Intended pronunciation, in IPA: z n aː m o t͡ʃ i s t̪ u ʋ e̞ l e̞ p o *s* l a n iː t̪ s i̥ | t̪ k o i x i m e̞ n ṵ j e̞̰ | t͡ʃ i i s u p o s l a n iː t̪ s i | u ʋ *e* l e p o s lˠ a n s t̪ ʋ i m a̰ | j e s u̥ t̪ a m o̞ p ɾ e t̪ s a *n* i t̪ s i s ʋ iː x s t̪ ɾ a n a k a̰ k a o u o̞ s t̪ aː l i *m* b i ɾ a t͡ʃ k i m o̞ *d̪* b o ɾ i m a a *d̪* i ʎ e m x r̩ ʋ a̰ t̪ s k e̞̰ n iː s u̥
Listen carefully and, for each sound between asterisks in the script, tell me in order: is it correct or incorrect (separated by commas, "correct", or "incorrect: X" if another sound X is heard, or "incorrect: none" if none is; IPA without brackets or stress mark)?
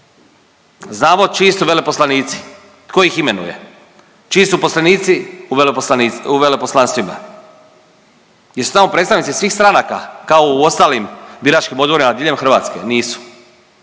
correct, correct, correct, correct, correct, correct